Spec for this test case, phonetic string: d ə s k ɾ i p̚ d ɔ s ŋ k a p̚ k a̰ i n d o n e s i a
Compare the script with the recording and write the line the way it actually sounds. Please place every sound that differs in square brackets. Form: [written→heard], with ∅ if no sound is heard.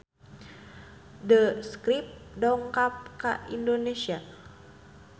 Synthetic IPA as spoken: d ə s k ɾ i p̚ d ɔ [s→∅] ŋ k a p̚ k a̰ i n d o n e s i a

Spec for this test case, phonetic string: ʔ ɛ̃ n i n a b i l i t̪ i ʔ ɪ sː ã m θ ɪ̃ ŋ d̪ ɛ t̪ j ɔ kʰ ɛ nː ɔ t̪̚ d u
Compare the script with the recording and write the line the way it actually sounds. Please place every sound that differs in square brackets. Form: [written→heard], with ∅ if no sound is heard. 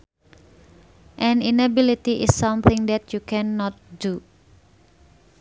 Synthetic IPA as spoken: ʔ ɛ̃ n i n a b i l i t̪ i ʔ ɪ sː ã m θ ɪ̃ ŋ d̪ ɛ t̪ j [ɔ→u] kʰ ɛ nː ɔ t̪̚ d u

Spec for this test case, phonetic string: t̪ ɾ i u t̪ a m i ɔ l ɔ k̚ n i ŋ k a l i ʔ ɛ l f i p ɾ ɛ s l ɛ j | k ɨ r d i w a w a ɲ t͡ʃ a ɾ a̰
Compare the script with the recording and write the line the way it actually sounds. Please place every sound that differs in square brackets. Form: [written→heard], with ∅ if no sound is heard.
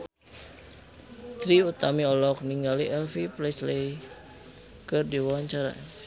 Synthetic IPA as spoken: t̪ ɾ i u t̪ a m i ɔ l ɔ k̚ n i ŋ [k→ɡ] a l i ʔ ɛ l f i p [ɾ→l] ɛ s l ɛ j | k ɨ r d i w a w a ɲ t͡ʃ a ɾ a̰

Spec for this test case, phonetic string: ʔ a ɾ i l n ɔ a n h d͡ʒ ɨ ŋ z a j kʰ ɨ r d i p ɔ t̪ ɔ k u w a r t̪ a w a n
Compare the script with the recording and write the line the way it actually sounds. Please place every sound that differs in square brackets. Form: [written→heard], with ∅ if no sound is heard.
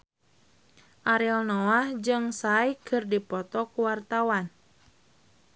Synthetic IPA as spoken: ʔ a ɾ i l n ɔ a [n→∅] h d͡ʒ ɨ ŋ [z→s] a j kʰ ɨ r d i p ɔ t̪ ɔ k u w a r t̪ a w a n

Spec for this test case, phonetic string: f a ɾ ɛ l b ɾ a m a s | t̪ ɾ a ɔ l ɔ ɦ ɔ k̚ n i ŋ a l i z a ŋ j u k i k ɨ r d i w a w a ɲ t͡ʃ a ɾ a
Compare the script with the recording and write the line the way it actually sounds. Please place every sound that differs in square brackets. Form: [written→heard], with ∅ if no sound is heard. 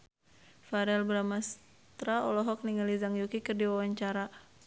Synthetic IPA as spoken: f a ɾ ɛ l b ɾ a m a s | t̪ ɾ a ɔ l ɔ ɦ ɔ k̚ n i ŋ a l i z a ŋ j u k i k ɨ r d i w a w a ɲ t͡ʃ a ɾ a

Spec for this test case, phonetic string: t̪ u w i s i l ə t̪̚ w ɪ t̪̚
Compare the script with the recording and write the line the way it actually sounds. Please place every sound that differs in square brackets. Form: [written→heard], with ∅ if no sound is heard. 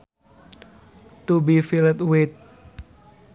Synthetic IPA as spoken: t̪ u [w→b] i [s→f] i l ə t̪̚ w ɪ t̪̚

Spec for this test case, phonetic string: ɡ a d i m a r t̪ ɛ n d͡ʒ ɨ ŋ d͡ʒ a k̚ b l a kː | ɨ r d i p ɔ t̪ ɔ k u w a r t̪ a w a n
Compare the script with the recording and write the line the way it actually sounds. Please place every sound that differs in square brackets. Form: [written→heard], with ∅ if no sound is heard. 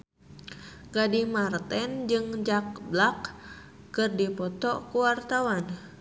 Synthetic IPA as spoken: ɡ a d i m a r t̪ ɛ n d͡ʒ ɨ ŋ d͡ʒ a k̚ b l a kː | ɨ r d i p ɔ t̪ ɔ k u w a r t̪ a w a n

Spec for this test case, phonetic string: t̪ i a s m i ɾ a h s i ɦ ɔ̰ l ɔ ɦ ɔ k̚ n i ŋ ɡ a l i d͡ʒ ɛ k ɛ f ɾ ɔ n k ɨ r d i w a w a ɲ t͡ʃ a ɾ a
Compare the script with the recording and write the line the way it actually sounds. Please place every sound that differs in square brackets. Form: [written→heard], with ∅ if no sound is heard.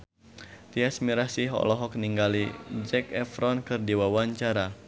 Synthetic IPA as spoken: t̪ i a s m i ɾ a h s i ɦ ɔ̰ l ɔ ɦ ɔ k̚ n i ŋ ɡ a l i d͡ʒ ɛ k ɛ f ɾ ɔ n k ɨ r d i w a w a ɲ t͡ʃ a ɾ a

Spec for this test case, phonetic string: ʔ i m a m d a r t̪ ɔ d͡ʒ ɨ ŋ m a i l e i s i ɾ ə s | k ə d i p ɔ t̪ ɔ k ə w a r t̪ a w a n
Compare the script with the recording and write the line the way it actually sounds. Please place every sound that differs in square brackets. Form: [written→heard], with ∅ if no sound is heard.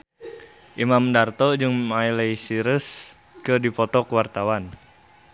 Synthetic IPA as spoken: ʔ i m a m d a r t̪ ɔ d͡ʒ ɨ ŋ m a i l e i s i ɾ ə s | k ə d i p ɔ t̪ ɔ k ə w a r t̪ a w a n

